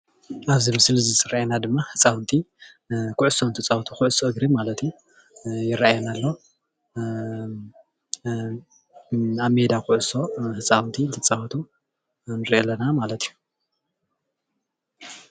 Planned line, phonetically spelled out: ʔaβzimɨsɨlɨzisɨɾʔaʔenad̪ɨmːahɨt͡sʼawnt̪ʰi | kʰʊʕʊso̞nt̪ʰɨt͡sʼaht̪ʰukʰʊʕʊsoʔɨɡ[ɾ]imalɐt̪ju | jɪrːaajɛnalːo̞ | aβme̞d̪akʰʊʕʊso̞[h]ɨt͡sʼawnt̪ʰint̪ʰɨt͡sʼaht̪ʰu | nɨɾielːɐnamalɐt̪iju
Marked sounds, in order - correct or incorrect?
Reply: correct, correct

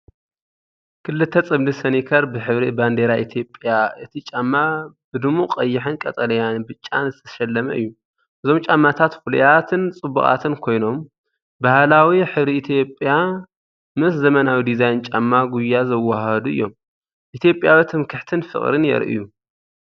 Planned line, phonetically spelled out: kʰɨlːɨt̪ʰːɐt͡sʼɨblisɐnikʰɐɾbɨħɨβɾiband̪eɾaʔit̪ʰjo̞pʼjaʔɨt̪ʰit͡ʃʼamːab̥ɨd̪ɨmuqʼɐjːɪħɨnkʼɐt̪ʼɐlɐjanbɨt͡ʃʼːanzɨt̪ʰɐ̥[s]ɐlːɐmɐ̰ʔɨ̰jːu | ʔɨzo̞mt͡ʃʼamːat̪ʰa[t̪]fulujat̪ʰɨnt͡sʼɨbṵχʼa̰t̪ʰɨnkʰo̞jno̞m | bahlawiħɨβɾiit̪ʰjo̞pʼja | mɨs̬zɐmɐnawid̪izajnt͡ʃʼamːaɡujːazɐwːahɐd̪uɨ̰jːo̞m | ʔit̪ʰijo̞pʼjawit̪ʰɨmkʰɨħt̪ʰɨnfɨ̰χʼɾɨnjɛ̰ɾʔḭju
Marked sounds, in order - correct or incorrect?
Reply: incorrect, correct

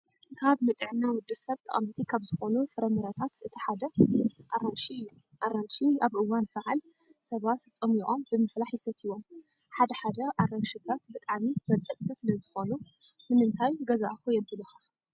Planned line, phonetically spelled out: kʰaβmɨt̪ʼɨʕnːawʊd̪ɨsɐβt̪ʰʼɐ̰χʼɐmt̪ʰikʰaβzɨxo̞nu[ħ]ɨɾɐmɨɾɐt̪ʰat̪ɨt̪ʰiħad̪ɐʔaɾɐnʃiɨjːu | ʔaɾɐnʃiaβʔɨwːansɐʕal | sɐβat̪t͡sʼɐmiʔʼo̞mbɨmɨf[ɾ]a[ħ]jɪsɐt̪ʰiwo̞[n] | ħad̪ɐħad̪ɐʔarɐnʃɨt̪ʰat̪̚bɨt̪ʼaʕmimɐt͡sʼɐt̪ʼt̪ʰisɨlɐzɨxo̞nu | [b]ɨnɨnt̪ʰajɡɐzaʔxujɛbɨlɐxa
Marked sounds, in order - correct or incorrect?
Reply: incorrect, incorrect, correct, incorrect, incorrect

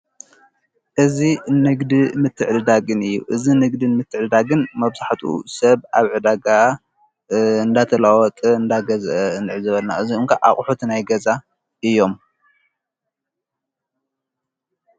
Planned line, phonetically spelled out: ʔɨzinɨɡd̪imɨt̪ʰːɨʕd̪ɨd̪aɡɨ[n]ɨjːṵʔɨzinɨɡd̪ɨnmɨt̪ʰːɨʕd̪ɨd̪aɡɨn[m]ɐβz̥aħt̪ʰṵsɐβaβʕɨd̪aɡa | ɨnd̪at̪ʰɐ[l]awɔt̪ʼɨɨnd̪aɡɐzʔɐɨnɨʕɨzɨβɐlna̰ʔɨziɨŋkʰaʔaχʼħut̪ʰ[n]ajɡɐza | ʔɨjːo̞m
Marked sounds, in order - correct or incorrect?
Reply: correct, correct, correct, correct

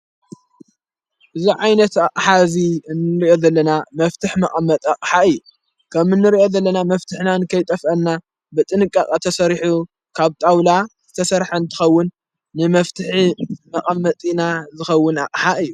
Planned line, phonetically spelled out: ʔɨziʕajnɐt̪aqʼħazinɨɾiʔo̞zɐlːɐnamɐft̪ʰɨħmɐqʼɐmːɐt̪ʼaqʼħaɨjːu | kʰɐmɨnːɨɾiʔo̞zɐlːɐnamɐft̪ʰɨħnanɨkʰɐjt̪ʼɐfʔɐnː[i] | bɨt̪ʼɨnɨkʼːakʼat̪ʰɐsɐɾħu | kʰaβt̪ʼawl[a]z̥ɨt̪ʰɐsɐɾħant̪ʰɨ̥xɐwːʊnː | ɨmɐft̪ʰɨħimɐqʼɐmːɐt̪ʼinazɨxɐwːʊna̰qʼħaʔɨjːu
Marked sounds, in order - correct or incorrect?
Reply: incorrect, correct

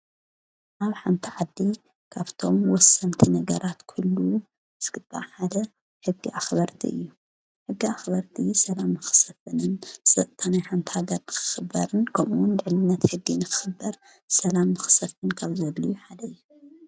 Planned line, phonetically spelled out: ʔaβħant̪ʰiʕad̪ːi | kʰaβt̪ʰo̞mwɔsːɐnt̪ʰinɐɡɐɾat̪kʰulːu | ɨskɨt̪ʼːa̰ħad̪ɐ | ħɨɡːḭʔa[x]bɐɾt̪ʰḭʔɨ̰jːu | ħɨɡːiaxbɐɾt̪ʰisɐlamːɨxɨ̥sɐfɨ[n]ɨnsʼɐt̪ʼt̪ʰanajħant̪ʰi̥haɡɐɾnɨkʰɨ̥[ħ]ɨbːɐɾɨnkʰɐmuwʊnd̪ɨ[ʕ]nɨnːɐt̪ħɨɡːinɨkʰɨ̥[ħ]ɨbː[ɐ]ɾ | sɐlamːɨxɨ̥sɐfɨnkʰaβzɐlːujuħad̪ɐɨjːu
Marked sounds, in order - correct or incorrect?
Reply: correct, correct, incorrect, correct, incorrect, correct

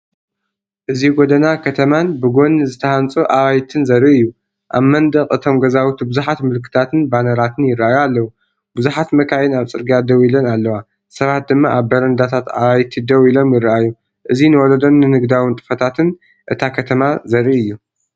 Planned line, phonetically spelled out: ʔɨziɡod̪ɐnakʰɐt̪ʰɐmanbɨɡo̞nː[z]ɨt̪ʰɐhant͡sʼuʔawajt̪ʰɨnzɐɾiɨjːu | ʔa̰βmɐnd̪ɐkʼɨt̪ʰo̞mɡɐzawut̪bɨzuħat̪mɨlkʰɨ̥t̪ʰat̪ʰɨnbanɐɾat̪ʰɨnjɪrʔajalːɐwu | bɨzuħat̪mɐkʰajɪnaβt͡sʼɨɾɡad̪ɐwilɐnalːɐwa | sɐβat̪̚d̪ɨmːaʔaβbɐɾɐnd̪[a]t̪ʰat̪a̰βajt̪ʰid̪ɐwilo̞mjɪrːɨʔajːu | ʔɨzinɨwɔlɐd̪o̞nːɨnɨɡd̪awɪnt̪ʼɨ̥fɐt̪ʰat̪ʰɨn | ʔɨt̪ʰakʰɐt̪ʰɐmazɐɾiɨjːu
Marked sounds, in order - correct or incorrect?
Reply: correct, correct

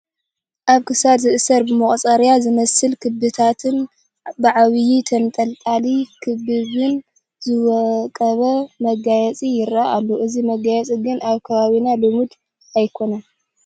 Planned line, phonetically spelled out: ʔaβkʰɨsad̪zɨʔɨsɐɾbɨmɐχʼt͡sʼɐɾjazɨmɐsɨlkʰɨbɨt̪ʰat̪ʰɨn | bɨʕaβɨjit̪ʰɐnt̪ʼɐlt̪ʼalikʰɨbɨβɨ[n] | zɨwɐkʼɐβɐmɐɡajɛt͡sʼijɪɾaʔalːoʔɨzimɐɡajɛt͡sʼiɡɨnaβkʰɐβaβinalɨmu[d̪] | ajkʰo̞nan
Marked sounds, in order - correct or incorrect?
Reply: correct, correct

